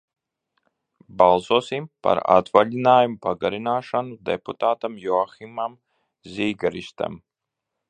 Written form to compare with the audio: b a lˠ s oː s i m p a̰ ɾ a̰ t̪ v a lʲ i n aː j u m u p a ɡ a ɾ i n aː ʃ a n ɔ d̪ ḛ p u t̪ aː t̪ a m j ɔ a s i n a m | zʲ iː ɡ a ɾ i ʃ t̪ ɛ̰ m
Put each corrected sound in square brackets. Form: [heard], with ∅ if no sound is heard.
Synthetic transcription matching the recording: b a lˠ s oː s i m p a̰ ɾ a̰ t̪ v a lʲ i n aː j u m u p a ɡ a ɾ i n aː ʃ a n [u] d̪ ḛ p u t̪ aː t̪ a m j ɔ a [x] i [m] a m | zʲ iː ɡ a ɾ i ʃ t̪ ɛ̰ m